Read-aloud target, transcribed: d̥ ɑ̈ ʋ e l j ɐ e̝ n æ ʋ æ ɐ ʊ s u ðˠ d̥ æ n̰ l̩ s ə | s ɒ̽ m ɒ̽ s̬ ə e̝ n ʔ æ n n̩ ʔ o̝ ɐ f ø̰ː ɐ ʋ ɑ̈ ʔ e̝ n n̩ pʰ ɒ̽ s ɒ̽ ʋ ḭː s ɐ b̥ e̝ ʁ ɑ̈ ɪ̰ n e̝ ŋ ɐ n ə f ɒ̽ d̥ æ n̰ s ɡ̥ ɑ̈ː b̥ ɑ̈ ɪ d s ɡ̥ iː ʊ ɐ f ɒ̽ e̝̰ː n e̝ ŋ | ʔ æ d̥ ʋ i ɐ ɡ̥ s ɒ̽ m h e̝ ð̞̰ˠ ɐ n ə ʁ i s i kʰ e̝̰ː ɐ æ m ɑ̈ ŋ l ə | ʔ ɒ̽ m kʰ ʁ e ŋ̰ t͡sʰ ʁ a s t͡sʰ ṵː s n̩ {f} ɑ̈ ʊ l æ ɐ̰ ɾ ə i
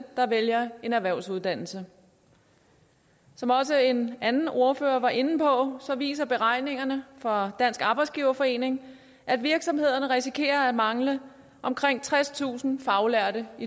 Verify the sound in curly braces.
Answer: correct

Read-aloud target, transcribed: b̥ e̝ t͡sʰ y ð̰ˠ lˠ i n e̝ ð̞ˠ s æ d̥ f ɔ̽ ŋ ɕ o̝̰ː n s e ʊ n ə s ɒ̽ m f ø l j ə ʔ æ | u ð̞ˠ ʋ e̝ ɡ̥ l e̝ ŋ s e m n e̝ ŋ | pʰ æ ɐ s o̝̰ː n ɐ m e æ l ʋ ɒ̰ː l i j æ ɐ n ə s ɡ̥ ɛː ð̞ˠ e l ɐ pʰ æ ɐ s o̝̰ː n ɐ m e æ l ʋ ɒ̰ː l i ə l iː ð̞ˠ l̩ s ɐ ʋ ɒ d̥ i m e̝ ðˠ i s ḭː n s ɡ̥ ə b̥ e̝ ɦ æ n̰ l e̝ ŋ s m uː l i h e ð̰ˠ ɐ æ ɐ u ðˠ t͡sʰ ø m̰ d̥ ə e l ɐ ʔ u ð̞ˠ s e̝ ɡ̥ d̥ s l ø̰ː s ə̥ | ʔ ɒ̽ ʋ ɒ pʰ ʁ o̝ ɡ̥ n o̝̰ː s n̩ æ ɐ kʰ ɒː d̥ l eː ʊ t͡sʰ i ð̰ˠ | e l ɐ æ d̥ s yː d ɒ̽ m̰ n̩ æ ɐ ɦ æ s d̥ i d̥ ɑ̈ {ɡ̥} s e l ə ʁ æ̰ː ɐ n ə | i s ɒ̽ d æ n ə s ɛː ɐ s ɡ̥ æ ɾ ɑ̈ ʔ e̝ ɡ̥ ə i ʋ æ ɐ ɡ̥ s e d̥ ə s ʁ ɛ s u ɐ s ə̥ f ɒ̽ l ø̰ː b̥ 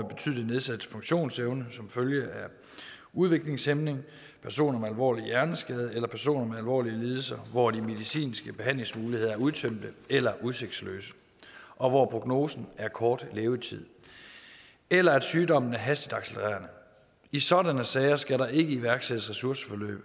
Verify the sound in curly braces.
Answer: correct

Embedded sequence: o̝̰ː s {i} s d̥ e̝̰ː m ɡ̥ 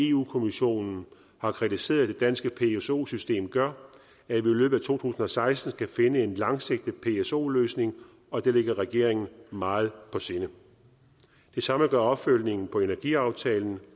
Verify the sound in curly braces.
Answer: incorrect: y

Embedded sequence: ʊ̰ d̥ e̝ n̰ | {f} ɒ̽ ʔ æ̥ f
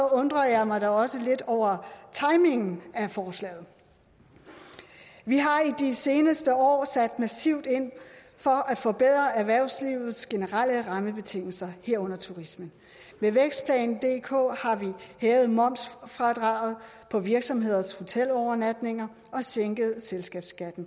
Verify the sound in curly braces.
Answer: correct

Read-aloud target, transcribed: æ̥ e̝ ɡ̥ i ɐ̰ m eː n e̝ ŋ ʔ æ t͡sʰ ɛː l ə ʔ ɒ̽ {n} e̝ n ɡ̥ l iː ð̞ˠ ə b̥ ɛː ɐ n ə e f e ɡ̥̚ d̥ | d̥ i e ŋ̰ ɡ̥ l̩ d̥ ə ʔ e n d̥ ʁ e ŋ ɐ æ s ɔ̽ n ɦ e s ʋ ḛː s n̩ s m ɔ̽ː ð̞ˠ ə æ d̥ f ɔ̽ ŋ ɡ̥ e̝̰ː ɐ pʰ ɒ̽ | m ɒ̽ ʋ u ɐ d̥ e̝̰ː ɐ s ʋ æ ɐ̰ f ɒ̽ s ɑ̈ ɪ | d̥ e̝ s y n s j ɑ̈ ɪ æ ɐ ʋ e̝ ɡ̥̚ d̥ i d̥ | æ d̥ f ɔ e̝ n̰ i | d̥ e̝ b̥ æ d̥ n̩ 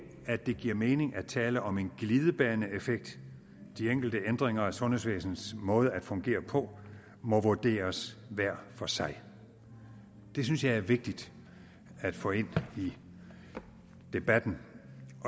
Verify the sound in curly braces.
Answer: incorrect: m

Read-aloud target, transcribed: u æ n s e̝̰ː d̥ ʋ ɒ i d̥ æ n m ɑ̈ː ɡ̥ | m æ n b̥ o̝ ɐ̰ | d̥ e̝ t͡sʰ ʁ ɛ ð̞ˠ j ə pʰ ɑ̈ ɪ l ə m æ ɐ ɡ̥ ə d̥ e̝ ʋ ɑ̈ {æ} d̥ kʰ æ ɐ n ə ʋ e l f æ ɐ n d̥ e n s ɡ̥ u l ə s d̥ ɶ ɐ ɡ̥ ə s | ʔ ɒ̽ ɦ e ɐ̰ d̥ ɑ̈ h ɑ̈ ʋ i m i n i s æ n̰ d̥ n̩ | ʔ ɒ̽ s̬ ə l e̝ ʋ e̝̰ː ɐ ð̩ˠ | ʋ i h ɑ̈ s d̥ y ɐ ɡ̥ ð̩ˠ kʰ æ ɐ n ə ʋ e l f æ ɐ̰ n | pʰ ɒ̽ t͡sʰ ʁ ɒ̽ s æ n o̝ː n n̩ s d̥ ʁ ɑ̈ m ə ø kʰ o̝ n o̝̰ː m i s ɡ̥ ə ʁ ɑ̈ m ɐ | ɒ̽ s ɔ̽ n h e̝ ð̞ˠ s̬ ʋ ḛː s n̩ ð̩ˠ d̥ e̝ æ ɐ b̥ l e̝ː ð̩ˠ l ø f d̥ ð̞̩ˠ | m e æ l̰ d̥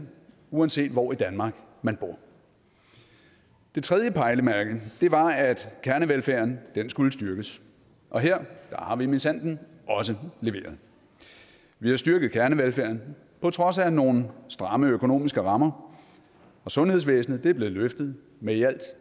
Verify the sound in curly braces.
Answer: correct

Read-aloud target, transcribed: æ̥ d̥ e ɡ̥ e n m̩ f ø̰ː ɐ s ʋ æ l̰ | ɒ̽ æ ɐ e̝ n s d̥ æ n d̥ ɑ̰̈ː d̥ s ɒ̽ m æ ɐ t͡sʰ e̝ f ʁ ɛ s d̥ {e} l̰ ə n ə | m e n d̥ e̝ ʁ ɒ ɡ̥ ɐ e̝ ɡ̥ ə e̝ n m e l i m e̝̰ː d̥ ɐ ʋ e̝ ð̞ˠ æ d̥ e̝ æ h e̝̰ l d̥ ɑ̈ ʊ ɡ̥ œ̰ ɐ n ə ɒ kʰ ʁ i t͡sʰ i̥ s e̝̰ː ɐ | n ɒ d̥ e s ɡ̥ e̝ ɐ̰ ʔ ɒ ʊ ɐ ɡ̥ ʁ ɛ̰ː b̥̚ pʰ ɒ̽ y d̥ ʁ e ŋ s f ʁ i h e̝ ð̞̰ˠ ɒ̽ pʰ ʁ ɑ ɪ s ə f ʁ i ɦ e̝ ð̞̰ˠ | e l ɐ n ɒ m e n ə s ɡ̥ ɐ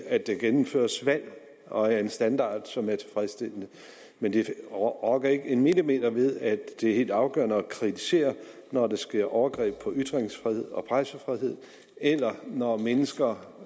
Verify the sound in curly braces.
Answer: correct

